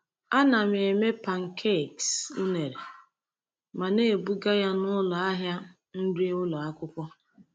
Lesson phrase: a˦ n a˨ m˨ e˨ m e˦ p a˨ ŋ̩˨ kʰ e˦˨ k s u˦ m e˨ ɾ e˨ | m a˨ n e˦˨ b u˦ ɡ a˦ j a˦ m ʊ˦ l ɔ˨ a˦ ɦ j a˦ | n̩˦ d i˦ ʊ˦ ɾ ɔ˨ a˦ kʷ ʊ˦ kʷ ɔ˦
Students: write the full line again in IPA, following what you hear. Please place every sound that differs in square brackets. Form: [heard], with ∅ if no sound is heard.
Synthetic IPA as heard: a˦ n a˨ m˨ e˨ m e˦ p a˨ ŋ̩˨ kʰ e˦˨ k s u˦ [n] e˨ ɾ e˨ | m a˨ n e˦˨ b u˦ ɡ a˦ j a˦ [n] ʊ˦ l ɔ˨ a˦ ɦ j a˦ | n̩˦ d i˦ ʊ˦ [l] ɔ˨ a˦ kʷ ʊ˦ kʷ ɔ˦